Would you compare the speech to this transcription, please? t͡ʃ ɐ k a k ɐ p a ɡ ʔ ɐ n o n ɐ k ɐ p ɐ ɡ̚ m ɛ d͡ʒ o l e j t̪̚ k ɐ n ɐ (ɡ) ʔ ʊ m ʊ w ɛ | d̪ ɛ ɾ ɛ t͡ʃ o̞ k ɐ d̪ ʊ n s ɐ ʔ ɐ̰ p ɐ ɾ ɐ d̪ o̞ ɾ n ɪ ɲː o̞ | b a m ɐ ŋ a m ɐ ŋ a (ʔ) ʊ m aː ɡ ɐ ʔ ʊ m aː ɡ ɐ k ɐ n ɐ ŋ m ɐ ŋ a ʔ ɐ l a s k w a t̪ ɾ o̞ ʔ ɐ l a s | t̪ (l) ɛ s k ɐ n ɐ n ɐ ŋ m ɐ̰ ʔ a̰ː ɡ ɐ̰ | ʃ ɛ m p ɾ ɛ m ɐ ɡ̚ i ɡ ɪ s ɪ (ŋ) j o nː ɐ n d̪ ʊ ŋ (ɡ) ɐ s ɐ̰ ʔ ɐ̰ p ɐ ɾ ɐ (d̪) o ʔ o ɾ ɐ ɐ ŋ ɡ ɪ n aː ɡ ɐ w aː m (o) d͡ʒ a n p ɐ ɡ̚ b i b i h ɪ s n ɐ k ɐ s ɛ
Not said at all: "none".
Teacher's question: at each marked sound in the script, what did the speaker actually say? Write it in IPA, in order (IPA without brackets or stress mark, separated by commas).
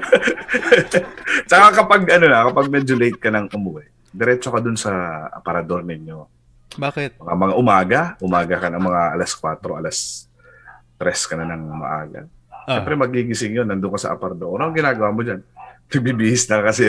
ŋ, ʔ, ɾ, ŋ, k, d̪, o